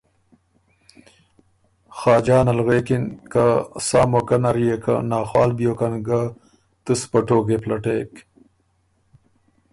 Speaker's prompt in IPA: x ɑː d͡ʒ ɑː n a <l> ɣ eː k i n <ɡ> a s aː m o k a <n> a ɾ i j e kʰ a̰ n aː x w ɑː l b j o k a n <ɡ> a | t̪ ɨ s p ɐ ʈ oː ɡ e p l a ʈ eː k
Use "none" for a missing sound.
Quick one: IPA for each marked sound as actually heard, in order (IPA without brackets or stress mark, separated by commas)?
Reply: l, k, n, ɡ